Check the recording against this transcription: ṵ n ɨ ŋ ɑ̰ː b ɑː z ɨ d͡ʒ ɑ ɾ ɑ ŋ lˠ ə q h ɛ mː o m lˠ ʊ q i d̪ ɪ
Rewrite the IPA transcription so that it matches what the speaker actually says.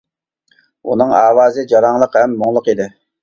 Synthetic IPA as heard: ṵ n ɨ ŋ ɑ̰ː w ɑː z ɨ d͡ʒ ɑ ɾ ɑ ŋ lˠ ə q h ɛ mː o ŋ lˠ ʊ q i d̪ ɪ